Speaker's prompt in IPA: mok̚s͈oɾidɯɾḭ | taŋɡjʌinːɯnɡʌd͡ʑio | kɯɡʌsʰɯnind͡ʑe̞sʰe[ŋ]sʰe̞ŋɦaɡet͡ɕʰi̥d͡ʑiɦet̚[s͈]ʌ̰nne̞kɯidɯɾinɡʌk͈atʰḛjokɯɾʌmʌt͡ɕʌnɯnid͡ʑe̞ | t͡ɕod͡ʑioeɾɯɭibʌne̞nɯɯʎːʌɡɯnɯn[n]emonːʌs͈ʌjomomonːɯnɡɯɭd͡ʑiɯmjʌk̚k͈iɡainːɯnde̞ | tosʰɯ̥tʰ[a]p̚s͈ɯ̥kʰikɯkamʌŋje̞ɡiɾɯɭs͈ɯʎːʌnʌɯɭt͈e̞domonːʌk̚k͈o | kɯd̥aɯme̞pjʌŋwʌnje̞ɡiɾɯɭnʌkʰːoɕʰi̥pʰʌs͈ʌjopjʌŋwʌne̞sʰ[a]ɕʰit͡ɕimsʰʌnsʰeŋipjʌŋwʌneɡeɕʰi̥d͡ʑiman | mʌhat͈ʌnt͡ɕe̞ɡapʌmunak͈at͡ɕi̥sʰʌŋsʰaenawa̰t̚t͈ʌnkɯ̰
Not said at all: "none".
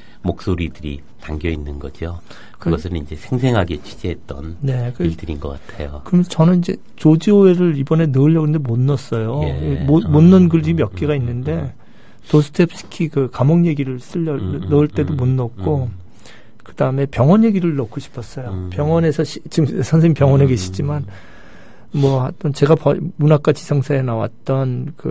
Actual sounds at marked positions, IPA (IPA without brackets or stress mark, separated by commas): ŋ, t͈, d, e, ʌ